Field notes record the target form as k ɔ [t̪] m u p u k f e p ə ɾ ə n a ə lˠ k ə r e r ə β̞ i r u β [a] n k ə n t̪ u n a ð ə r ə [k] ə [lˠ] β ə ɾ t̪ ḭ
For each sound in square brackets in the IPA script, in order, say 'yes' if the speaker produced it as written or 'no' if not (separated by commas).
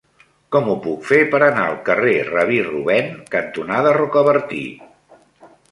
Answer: no, no, yes, no